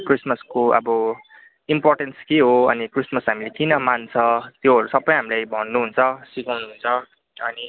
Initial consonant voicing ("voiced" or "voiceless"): voiceless